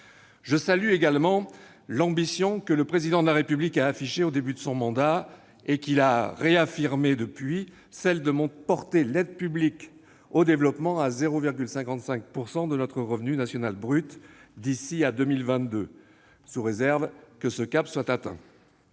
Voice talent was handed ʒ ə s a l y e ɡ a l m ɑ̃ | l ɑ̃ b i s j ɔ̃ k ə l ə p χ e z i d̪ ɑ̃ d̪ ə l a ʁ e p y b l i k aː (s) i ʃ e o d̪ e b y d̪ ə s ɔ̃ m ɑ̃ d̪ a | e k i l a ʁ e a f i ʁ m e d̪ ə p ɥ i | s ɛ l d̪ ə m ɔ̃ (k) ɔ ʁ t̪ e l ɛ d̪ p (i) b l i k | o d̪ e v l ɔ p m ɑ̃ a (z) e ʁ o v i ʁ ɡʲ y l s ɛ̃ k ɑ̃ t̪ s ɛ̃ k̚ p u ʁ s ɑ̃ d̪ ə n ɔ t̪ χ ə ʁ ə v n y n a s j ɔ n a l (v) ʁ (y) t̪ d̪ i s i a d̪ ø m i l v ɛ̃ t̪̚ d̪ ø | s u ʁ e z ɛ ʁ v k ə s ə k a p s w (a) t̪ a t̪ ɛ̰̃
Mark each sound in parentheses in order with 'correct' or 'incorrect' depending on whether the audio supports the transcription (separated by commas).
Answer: incorrect, incorrect, incorrect, correct, incorrect, correct, correct